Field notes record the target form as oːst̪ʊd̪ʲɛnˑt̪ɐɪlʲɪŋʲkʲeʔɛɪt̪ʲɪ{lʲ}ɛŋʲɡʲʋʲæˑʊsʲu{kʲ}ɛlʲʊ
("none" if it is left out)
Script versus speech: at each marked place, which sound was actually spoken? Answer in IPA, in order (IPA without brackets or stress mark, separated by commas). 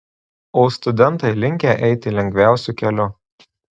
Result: lʲ, kʲ